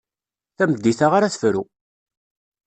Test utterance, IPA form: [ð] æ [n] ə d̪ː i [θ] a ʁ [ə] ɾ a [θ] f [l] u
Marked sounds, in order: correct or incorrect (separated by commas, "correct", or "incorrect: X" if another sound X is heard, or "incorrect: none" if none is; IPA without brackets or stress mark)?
incorrect: θ, incorrect: m, correct, incorrect: a, correct, incorrect: ɾ